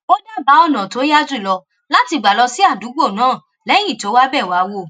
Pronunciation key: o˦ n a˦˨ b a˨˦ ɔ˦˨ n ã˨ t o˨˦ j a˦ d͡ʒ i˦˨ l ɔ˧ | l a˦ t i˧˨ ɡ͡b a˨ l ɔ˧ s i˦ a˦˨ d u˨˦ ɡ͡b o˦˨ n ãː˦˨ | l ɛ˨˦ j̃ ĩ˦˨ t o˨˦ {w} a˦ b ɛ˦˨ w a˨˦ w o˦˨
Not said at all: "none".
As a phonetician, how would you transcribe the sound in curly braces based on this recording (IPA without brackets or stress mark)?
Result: w